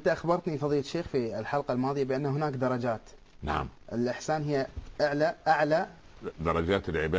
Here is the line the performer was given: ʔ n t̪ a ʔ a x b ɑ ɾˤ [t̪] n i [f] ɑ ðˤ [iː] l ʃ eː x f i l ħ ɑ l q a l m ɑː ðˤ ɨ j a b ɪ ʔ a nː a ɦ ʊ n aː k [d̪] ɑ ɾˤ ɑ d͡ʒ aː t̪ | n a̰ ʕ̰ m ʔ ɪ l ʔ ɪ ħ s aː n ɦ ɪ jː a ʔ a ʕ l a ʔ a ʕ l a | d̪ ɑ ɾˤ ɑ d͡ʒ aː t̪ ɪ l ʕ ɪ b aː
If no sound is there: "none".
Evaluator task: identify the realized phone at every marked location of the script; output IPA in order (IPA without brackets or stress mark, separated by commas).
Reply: t̪, f, iː, d̪